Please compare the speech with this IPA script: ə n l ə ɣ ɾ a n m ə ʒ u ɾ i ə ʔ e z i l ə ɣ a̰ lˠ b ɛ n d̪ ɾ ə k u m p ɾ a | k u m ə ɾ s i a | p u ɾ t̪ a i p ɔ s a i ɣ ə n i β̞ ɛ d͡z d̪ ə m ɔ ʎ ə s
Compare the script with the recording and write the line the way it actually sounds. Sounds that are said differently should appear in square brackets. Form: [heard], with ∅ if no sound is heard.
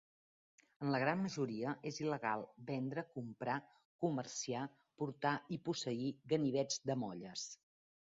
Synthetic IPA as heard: ə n l ə ɣ ɾ a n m ə ʒ u ɾ i ə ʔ e z i l ə ɣ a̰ lˠ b ɛ n d̪ ɾ ə k u m p ɾ a | k u m ə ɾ s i a | p u ɾ t̪ a i p [u] s [ə] i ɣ ə n i β̞ ɛ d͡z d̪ ə m ɔ ʎ ə s